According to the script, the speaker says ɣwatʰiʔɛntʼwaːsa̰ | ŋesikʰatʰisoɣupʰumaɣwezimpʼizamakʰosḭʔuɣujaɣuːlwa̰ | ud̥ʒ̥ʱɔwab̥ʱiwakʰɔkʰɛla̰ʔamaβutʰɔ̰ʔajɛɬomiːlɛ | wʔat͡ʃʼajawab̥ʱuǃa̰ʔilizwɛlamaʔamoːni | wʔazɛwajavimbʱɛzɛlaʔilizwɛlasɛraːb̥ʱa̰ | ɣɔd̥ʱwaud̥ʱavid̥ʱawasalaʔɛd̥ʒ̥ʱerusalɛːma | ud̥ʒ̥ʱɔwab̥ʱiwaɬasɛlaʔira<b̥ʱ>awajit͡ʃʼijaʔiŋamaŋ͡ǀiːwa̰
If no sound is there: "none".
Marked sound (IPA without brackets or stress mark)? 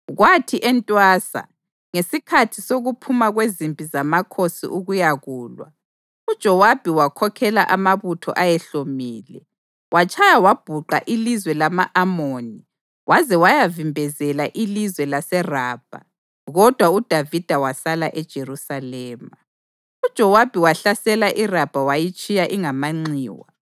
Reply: b̥ʱ